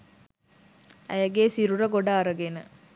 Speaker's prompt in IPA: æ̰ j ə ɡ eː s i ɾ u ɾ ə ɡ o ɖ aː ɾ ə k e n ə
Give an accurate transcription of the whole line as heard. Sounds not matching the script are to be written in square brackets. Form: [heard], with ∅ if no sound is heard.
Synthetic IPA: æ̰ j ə ɡ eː s i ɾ u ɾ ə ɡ o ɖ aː ɾ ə [ɡ] e n ə